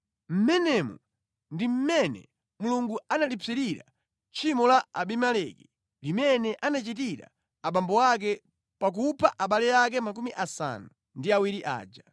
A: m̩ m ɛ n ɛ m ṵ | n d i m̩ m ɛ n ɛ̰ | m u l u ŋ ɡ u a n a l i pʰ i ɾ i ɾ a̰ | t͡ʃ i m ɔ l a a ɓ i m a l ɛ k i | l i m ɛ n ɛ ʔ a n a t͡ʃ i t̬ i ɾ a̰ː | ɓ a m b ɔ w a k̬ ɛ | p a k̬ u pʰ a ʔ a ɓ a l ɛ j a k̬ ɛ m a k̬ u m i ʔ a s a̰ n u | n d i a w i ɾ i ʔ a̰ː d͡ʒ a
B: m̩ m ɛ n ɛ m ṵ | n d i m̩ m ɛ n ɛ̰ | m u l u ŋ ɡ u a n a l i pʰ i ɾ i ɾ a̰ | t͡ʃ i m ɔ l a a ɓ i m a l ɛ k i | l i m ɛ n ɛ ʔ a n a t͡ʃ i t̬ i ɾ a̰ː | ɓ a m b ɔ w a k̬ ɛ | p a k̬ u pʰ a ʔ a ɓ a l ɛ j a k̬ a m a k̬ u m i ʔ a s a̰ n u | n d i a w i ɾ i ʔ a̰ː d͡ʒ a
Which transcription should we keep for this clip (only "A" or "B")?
A